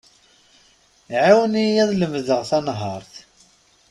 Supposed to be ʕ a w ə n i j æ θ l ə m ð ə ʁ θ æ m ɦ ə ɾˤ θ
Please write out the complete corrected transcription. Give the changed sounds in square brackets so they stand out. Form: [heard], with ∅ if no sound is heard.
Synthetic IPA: ʕ a w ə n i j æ [ð] l ə m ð ə ʁ θ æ [n] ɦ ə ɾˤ θ